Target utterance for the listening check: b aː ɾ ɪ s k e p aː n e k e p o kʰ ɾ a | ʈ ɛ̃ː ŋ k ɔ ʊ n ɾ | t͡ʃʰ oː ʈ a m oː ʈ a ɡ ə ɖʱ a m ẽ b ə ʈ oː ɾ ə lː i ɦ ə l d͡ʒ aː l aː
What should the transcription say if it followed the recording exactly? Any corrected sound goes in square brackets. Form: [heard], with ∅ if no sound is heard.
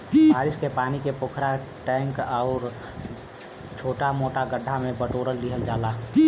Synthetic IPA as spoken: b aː ɾ ɪ s k e p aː n [i] k e p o kʰ ɾ a | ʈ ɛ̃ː ŋ k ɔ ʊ [∅] ɾ | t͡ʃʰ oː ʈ a m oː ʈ a ɡ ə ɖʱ a m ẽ b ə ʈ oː ɾ ə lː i ɦ ə l d͡ʒ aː l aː